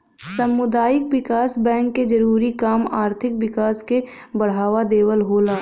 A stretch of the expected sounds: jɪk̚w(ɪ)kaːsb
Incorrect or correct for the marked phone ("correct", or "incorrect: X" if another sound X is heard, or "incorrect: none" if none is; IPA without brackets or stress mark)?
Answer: correct